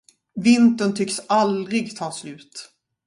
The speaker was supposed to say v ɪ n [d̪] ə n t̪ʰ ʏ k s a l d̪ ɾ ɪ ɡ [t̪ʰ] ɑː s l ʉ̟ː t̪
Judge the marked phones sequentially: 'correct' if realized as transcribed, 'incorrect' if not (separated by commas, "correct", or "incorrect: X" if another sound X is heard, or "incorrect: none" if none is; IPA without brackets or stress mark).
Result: incorrect: t̪, correct